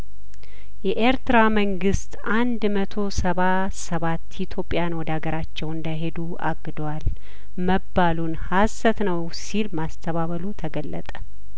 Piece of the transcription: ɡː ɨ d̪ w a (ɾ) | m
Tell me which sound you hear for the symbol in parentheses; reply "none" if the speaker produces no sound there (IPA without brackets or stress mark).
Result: l